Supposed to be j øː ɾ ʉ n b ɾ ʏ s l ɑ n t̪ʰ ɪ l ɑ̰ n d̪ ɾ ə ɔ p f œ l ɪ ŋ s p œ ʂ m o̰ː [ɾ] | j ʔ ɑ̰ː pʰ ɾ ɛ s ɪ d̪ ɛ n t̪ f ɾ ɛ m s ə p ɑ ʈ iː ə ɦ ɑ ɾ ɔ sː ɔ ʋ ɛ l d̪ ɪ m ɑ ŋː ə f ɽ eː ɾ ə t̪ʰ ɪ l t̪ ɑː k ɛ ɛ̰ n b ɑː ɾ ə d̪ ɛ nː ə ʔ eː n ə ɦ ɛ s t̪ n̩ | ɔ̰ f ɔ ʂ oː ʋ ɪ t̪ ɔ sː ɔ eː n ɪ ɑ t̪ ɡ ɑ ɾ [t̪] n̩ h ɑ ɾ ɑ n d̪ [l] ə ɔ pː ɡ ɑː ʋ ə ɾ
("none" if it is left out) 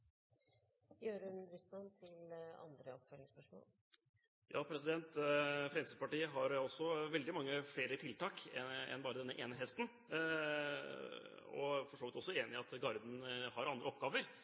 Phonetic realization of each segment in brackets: l, d̪, ɾ

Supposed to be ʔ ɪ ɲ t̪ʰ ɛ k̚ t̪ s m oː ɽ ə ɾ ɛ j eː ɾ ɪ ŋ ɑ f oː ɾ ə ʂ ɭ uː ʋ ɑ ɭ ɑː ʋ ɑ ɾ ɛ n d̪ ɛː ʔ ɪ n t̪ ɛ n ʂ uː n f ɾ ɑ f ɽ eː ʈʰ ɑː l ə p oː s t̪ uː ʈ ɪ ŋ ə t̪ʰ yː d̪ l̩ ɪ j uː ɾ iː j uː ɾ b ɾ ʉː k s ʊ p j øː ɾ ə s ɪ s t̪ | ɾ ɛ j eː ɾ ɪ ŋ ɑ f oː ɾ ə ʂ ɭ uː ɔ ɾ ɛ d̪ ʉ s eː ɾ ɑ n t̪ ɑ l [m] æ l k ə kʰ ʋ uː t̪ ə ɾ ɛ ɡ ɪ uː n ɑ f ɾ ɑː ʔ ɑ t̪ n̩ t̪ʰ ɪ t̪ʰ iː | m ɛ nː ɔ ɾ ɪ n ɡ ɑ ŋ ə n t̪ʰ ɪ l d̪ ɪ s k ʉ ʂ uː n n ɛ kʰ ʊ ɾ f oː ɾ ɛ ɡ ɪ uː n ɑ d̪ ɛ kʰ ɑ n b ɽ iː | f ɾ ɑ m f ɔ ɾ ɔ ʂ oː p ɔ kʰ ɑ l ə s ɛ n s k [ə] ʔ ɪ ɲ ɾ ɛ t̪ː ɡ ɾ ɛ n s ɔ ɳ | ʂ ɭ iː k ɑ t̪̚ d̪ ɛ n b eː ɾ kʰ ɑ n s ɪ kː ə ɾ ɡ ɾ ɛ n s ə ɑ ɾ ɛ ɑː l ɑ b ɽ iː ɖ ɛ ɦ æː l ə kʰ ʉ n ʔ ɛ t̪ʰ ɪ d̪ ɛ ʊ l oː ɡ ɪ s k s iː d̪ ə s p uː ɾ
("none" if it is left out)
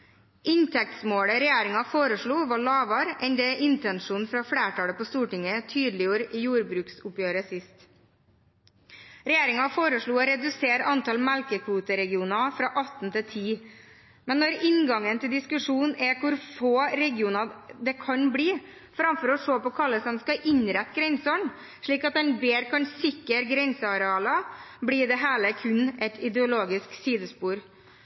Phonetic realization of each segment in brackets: m, ɑ

